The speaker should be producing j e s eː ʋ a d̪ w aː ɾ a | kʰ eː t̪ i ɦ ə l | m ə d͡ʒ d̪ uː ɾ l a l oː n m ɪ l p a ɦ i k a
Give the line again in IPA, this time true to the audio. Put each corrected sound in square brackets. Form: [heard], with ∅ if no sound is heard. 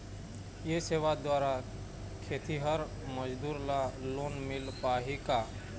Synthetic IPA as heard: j e s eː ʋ a d̪ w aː ɾ a | kʰ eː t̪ i ɦ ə [ɾ] | m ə d͡ʒ d̪ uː ɾ l a l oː n m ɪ l p a ɦ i k a